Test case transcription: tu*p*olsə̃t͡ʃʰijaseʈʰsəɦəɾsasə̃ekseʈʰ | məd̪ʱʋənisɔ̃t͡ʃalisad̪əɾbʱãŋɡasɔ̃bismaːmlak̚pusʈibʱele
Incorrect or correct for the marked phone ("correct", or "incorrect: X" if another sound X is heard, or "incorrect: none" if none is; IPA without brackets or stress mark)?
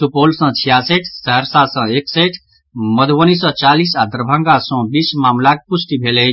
correct